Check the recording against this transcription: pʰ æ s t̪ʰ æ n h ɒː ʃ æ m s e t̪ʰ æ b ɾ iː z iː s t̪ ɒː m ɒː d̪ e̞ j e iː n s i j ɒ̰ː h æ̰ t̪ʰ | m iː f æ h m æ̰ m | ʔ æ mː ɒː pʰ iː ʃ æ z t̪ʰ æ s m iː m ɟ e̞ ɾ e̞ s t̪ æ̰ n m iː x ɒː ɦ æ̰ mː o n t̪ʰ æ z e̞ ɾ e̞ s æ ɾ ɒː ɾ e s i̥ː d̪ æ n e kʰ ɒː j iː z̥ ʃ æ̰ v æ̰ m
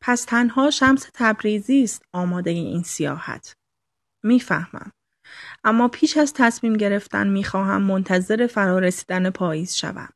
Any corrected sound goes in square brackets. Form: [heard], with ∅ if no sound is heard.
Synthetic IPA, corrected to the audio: pʰ æ s t̪ʰ æ n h ɒː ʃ æ m s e t̪ʰ æ b ɾ iː z iː s t̪ ɒː m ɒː d̪ e̞ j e iː n s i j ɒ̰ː h æ̰ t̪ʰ | m iː f æ h m æ̰ m | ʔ æ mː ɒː pʰ iː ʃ æ z t̪ʰ æ s m iː m ɟ e̞ ɾ e̞ [f] t̪ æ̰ n m iː x ɒː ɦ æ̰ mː o n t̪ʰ æ z e̞ ɾ e̞ [f] æ ɾ ɒː ɾ e s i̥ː d̪ æ n e [pʰ] ɒː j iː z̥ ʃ æ̰ v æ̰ m